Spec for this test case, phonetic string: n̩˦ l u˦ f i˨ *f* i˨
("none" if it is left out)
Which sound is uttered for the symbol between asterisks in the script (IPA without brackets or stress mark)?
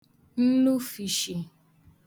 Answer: ʃ